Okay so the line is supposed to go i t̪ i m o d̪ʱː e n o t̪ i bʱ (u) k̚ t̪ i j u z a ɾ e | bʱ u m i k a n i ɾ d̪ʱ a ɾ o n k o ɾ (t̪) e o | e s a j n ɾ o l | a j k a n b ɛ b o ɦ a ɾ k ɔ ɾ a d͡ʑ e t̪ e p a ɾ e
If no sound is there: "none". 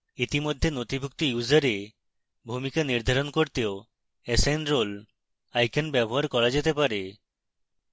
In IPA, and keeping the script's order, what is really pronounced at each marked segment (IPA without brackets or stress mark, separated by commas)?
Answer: u, t̪